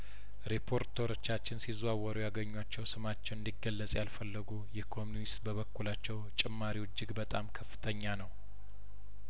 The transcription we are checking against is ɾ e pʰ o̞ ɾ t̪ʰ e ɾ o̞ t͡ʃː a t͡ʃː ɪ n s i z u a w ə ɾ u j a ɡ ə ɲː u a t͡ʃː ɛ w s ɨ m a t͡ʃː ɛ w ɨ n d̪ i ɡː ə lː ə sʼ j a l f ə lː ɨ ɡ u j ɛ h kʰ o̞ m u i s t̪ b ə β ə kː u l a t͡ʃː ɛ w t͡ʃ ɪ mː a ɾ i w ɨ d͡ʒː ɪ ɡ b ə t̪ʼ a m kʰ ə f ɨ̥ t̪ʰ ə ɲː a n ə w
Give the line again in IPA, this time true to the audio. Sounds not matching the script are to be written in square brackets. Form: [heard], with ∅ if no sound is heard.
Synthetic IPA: ɾ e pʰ o̞ ɾ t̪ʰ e ɾ o̞ t͡ʃː a t͡ʃː ɪ n s i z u a w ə ɾ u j a ɡ ə ɲː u a t͡ʃː ɛ w s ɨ m a t͡ʃː ɛ w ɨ n d̪ i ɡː ə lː ə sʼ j a l f ə lː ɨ ɡ u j ɛ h kʰ o̞ m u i s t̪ b ə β ə kː u l a t͡ʃː ɛ w [t͡ʃʼ] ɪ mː a ɾ i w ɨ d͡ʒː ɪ ɡ b ə t̪ʼ a m kʰ ə f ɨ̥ t̪ʰ ə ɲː a n ə w